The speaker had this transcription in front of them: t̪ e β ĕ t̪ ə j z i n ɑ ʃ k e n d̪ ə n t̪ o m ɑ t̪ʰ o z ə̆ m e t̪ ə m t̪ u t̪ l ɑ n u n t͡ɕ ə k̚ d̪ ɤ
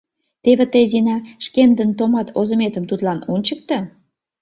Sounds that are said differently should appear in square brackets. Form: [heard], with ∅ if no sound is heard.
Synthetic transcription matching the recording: t̪ e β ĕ t̪ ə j z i n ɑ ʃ k e n d̪ ə n t̪ o m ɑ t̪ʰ o z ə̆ m e t̪ ə m t̪ u t̪ l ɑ n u n t͡ɕ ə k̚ [t̪] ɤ